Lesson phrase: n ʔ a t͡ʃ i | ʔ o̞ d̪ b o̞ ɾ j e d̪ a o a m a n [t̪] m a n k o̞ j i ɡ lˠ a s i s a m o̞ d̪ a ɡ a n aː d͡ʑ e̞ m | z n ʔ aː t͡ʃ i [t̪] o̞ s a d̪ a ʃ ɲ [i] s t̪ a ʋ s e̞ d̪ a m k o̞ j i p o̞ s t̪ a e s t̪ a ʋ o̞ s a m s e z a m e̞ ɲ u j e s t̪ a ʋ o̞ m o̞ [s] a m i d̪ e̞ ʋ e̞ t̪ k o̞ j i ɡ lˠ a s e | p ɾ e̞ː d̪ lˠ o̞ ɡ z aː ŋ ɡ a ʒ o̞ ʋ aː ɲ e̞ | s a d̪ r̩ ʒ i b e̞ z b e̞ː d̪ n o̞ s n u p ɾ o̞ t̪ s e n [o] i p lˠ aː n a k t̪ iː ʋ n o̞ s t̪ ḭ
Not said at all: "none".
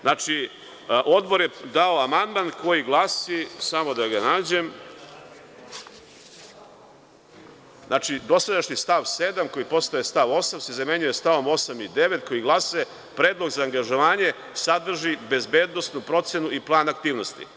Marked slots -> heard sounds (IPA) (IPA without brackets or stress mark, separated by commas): d̪, d̪, i, s, u